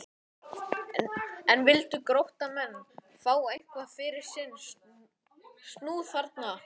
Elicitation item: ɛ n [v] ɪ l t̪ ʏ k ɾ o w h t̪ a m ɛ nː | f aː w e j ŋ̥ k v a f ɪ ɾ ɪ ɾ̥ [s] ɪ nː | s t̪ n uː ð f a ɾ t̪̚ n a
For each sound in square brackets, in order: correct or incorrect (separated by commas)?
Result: correct, correct